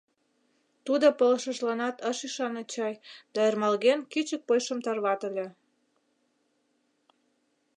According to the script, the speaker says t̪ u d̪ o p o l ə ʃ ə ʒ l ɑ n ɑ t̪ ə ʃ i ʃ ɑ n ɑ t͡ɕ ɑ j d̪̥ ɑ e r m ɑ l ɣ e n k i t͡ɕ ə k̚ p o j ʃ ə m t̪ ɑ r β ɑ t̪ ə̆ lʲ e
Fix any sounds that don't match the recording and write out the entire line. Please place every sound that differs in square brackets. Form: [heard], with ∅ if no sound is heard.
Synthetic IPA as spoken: t̪ u d̪ o p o l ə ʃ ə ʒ l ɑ n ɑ t̪ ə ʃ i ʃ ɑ n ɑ t͡ɕ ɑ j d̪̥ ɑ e r m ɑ l ɣ e n k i t͡ɕ ə k̚ p o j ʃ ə m t̪ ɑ r β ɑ t̪ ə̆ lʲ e